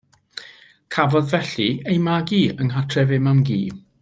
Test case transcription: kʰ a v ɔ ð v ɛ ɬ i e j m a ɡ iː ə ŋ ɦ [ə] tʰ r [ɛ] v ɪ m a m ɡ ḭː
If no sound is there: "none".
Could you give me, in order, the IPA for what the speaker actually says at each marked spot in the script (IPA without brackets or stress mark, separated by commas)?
a, ɛ